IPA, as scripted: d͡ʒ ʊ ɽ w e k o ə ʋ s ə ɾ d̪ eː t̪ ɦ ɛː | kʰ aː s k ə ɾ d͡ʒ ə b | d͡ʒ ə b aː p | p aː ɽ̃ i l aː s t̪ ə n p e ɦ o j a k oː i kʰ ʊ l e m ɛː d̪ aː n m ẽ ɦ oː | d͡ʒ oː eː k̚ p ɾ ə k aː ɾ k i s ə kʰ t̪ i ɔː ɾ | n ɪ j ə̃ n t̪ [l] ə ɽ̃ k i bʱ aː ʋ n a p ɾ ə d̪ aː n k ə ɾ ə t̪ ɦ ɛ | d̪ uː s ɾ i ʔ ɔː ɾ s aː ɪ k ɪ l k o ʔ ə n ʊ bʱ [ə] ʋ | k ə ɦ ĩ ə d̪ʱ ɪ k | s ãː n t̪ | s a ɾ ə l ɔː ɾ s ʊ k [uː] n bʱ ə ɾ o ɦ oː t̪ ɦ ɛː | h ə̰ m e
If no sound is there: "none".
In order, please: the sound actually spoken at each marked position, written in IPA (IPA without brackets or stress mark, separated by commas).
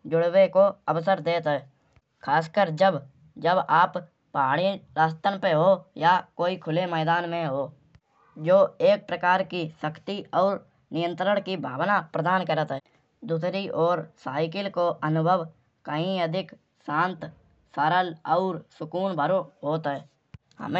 ɾ, ə, uː